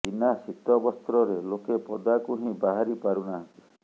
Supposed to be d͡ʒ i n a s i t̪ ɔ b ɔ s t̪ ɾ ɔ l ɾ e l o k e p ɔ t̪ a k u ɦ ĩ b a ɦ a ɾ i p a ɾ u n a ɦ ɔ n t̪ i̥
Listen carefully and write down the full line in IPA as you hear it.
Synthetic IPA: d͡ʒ i n a s i t̪ ɔ b ɔ s t̪ ɾ ɔ ɾ e l o k e p ɔ d̪ a k u ɦ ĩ b a ɦ a ɾ i p a ɾ u n a ɦ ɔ n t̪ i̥